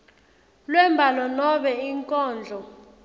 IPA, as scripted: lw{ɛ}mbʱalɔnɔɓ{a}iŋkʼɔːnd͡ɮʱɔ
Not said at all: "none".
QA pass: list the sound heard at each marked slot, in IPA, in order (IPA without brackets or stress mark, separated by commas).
ɛ, ɛ